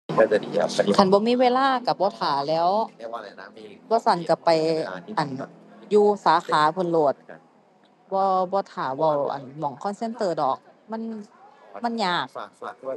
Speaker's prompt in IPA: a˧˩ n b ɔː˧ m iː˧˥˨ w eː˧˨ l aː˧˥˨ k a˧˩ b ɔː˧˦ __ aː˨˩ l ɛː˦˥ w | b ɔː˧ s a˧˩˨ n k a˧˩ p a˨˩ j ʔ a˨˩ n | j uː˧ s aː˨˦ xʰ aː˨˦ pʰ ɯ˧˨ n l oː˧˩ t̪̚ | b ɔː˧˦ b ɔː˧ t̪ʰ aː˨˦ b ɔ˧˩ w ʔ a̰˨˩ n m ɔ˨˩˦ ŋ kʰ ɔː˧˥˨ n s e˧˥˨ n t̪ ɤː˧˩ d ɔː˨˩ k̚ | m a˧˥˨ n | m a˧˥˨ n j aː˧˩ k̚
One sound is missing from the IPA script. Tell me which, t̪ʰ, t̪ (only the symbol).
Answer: t̪ʰ